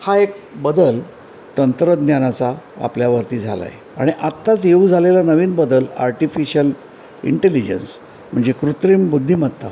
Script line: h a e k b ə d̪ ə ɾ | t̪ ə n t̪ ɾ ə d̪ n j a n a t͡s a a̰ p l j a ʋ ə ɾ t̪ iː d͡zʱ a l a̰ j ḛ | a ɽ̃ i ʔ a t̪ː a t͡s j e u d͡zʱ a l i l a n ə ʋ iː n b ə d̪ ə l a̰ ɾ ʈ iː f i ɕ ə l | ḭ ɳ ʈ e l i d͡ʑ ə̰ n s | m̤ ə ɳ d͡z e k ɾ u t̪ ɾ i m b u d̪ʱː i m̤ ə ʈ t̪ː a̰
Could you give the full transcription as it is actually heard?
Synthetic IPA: h a e k b ə d̪ ə l | t̪ ə n t̪ ɾ ə d̪ n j a n a t͡s a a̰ p l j a ʋ ə ɾ t̪ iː d͡zʱ a l a̰ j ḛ | a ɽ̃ i ʔ a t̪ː a t͡s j e u d͡zʱ a l e l a n ə ʋ iː n b ə d̪ ə l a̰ ɾ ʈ i f i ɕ ə l | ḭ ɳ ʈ e l i d͡ʑ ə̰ n s | m̤ ə ɳ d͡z e k ɾ u t̪ ɾ i m b u d̪ʱː i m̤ ə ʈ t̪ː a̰